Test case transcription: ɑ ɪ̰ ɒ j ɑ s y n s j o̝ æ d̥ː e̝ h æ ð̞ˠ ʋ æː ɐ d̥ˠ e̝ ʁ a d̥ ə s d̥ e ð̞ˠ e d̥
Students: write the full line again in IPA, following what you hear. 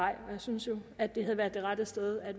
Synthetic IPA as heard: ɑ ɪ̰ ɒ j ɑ s y n s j o̝ æ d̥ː e̝ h æ ð̞ˠ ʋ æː ɐ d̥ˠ e̝ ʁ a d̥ ə s d̥ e ð̞ˠ æ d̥